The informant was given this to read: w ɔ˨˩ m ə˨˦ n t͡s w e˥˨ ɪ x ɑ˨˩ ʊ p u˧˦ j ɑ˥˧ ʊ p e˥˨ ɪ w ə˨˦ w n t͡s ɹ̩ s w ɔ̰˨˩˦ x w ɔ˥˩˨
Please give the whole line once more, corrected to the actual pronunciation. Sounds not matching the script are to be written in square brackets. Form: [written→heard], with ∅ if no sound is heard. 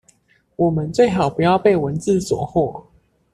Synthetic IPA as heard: w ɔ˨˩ m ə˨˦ n t͡s w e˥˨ ɪ x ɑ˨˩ ʊ p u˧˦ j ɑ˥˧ ʊ p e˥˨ ɪ w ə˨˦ [w→∅] n t͡s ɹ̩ s w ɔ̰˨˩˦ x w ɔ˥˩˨